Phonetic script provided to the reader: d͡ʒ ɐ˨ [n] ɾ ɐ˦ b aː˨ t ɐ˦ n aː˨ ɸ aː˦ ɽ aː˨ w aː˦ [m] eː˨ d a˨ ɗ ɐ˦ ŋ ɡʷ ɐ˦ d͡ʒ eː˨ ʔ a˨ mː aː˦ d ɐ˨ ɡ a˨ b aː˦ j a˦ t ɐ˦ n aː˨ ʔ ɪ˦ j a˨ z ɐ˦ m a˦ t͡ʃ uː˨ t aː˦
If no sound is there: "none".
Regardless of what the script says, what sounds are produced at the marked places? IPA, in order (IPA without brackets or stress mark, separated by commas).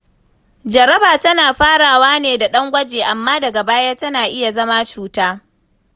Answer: none, n